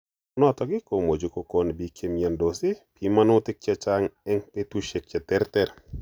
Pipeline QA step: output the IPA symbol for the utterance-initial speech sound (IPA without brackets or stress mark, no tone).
n